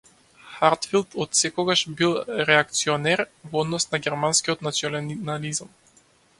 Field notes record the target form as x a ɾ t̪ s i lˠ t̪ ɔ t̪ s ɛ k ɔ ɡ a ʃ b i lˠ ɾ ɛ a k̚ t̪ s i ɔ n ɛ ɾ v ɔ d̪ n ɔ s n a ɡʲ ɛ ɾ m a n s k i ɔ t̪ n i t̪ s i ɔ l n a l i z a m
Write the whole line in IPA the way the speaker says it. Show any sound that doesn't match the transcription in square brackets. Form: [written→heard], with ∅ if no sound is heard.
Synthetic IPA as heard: x a ɾ t̪ [s→f] i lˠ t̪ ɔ t̪ s ɛ k ɔ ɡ a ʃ b i lˠ ɾ ɛ a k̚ t̪ s i ɔ n ɛ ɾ v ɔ d̪ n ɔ s n a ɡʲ ɛ ɾ m a n s k i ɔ t̪ n [i→a] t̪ s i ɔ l n a l i z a m